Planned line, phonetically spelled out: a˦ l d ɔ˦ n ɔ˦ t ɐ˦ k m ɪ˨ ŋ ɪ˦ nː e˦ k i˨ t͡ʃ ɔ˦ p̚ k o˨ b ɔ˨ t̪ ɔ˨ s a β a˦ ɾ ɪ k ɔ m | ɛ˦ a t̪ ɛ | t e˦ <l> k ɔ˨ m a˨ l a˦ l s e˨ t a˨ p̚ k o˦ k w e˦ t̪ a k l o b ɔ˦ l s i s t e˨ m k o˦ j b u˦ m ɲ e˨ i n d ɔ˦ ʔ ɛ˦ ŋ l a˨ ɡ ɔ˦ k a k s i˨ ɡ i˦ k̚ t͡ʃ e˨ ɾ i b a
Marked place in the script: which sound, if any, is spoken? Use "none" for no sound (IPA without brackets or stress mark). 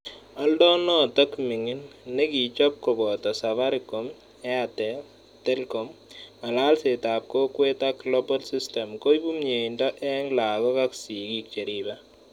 l